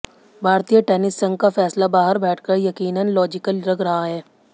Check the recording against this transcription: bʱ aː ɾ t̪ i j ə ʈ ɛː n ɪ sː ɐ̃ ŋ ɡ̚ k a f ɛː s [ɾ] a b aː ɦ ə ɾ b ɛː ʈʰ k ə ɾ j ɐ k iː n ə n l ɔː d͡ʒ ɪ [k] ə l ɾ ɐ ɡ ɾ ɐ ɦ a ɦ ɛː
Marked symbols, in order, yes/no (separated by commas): no, yes